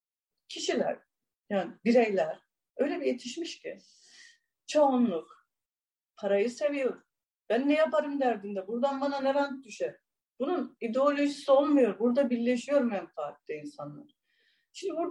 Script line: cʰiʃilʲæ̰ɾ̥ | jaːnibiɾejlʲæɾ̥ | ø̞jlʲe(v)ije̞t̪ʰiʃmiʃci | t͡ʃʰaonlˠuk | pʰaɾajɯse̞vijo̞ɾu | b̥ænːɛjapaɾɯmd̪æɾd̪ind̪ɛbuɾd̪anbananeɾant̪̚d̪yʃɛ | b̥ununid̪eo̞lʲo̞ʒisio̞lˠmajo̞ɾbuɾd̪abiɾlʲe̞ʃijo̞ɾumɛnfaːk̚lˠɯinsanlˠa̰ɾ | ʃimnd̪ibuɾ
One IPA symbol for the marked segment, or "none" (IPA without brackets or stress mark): b